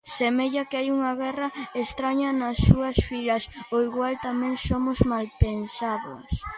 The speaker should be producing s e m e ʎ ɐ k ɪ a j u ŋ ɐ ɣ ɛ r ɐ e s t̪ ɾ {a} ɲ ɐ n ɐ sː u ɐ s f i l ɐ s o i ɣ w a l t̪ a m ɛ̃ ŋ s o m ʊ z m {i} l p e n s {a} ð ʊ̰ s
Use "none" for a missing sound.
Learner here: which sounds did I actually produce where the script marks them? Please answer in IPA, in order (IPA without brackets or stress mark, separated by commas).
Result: a, a, a